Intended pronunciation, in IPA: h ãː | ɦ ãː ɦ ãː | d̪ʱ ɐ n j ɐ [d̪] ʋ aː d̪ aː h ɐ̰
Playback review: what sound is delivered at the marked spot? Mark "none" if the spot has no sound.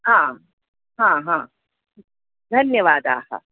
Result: none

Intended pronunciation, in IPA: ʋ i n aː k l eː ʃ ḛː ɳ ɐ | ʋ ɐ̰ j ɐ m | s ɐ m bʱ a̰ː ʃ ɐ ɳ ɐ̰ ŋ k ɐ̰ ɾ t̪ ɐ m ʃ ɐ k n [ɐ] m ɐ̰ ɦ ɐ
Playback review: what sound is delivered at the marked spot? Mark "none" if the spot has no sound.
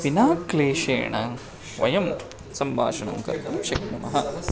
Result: ɐ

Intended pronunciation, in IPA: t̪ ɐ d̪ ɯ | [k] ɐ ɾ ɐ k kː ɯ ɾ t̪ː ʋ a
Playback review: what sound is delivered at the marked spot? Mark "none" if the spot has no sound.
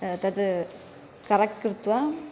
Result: k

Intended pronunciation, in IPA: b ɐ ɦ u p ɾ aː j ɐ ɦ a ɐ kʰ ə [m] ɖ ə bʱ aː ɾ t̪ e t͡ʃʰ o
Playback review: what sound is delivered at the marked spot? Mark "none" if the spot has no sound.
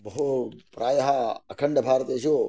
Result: ɳ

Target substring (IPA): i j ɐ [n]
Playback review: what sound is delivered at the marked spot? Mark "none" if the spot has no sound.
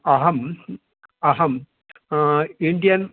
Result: n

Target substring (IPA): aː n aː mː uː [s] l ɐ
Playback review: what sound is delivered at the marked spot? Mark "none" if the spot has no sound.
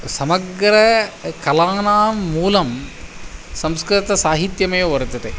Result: none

